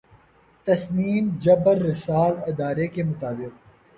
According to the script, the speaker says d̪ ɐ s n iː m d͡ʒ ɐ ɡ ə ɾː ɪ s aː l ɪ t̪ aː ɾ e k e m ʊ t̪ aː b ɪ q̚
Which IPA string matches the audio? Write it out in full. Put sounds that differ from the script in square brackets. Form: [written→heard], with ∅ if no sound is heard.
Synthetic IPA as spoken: [d̪→t̪] ɐ s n iː m d͡ʒ ɐ [ɡ→b] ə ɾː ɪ s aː l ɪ [t̪→d̪] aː ɾ e k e m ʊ t̪ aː b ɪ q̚